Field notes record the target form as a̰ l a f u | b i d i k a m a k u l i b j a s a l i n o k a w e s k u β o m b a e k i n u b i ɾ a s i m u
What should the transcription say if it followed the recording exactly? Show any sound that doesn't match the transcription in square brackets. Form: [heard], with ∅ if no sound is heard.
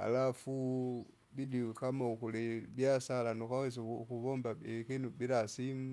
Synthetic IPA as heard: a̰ l a f u | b i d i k a m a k u l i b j a s a l [a] n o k a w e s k u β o m b a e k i n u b i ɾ a s i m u